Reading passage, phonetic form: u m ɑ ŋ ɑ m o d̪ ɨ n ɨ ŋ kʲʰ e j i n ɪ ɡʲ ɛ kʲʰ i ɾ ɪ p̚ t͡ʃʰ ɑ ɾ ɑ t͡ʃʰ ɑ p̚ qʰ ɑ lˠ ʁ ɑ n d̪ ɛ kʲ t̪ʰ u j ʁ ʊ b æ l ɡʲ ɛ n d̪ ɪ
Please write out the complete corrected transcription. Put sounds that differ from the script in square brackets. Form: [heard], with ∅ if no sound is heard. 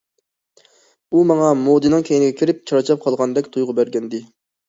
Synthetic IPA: u m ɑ ŋ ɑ m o d̪ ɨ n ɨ ŋ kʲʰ e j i n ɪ ɡʲ ɛ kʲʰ i ɾ ɪ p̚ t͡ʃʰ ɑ ɾ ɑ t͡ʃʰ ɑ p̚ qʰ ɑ lˠ ʁ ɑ n d̪ ɛ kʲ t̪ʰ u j ʁ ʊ b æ [ɾ] ɡʲ ɛ n d̪ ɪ